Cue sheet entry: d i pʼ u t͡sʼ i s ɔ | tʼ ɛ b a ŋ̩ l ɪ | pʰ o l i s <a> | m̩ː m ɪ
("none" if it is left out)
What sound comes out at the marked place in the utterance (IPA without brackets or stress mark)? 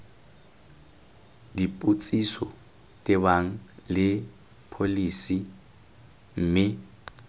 i